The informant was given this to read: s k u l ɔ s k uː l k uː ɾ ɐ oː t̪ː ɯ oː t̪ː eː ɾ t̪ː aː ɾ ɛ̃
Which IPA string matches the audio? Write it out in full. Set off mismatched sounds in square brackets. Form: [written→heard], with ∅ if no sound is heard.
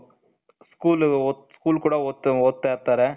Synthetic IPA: s k [u→uː] l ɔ s k uː l k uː [ɾ→ɽ] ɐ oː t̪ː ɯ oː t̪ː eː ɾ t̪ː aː ɾ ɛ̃